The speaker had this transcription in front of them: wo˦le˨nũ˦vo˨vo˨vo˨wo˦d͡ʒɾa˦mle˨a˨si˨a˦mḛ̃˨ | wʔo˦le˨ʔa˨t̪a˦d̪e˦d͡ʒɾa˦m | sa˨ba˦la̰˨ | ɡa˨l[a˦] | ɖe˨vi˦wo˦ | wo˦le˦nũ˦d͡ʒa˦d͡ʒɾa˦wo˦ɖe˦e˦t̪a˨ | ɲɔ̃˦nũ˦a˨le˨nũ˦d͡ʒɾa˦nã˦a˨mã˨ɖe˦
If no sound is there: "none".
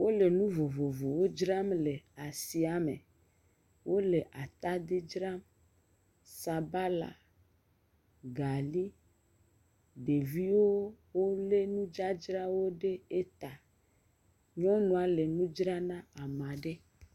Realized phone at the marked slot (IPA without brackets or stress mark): i˦